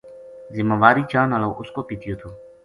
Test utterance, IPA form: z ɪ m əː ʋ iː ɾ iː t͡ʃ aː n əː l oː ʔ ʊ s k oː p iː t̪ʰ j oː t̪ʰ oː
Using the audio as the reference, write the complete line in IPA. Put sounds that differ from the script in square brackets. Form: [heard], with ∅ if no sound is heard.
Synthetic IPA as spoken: z ɪ m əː ʋ [aː] ɾ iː t͡ʃ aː n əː l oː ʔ ʊ s k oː p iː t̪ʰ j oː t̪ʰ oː

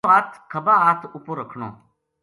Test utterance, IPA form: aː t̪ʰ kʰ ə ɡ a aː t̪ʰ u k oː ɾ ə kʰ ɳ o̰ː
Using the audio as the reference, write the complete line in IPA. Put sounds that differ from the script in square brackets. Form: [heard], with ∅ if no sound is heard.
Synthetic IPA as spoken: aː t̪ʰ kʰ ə [b] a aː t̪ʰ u [p] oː ɾ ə kʰ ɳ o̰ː

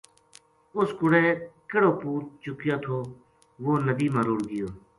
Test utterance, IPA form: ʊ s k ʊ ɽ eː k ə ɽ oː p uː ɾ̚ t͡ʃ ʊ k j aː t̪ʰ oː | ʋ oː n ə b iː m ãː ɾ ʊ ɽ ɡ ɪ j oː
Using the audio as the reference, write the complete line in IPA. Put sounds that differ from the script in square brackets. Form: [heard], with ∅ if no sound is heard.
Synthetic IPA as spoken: ʊ s k ʊ ɽ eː k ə ɽ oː p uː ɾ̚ t͡ʃ ʊ k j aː t̪ʰ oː | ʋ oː n ə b iː m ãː ɾ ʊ ɽ ɡ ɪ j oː

